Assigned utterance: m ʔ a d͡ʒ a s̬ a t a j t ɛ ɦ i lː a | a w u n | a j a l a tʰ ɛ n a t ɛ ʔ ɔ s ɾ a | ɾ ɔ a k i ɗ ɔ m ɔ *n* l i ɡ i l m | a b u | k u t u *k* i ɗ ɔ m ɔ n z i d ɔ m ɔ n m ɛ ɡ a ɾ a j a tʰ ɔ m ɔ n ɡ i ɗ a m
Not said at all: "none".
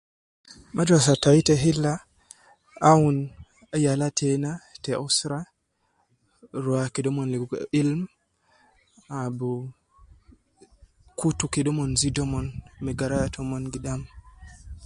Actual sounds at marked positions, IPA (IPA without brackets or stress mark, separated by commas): n, k